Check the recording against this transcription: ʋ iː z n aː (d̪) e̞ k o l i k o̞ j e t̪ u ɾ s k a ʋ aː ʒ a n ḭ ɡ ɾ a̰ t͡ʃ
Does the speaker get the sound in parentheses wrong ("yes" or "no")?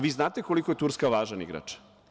yes